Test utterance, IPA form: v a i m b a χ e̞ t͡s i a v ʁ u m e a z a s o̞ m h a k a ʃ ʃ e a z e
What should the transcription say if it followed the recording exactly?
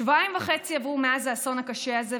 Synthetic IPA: v a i m v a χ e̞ t͡s i a v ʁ u m e a z a s o̞ n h a k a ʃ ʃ e a z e